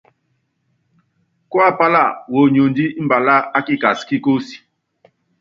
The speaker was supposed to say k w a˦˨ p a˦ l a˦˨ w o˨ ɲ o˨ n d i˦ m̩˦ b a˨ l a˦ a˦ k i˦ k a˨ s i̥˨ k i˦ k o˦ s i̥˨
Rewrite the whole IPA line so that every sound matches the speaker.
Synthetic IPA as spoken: k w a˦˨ p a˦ l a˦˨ w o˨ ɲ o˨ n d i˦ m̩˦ b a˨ l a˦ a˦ k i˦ k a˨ s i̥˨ k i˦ k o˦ s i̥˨

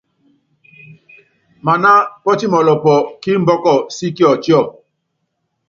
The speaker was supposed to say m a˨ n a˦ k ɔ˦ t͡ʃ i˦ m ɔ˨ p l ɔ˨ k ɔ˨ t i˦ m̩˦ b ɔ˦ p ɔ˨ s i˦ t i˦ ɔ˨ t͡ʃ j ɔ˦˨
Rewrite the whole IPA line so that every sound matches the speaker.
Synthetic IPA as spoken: m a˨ n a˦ p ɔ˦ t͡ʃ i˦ m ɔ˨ l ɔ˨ p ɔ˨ k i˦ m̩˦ b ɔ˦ k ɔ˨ s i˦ k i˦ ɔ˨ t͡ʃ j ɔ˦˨

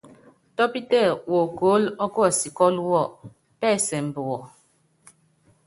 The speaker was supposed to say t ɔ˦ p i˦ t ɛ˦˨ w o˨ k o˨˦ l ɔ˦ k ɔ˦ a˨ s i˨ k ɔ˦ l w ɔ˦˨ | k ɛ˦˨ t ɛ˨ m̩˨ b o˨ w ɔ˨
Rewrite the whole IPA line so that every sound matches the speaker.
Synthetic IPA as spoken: t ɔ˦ p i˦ t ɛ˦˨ w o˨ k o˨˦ l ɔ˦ k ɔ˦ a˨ s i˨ k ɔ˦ l w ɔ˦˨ | p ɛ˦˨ s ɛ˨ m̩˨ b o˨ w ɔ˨

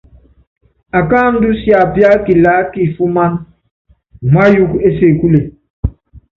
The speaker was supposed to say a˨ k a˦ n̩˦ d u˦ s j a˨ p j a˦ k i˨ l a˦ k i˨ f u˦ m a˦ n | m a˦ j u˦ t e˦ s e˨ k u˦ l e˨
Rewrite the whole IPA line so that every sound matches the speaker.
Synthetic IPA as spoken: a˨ k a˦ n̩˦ d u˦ s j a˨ p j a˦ k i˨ l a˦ k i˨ f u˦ m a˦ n | m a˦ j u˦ k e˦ s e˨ k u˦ l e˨

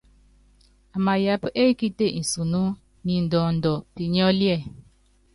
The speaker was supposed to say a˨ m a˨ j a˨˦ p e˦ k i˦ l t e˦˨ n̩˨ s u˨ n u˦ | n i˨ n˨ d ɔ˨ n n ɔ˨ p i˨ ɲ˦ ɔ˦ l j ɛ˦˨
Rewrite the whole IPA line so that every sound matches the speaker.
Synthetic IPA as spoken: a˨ m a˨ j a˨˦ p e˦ k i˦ t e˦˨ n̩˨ s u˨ n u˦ | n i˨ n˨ d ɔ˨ n d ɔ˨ p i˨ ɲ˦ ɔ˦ l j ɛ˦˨

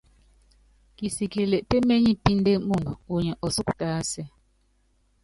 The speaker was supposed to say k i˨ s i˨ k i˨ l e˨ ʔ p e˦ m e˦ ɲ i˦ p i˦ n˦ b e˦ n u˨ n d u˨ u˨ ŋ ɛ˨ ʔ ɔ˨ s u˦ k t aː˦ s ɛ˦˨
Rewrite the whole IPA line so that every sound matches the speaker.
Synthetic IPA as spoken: k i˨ s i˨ k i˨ l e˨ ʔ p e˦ m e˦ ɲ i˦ p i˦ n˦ d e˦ m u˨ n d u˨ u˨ ɲ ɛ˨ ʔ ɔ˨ s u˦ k t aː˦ s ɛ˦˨

